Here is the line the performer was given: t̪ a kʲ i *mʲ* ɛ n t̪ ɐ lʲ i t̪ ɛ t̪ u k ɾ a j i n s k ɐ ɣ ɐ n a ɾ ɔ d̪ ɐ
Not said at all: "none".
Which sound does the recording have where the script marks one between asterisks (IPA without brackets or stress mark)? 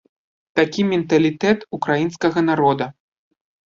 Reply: mʲ